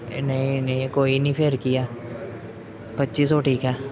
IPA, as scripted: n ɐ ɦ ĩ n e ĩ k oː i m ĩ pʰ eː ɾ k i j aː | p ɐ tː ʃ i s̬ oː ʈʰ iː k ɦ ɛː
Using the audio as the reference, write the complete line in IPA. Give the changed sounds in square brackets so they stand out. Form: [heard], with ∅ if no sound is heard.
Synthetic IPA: n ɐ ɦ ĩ n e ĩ k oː i [n] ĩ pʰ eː ɾ k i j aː | p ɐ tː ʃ i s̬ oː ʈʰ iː k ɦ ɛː